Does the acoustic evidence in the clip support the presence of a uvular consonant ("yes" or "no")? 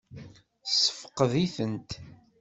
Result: yes